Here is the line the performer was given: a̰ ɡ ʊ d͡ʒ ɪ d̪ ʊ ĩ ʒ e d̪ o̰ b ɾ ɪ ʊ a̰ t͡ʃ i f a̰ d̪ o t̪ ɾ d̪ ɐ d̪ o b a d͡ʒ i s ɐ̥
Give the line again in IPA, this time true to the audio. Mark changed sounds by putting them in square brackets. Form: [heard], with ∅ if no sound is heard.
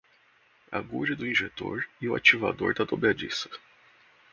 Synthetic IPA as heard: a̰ ɡ [u] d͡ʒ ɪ d̪ ʊ ĩ ʒ e [t̪] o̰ [∅] ɾ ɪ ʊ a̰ t͡ʃ i [v] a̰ d̪ o [∅] ɾ d̪ ɐ d̪ o b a d͡ʒ i s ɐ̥